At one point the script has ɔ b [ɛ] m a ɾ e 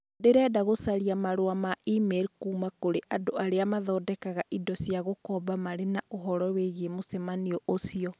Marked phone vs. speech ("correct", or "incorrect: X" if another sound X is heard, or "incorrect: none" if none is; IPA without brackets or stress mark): incorrect: a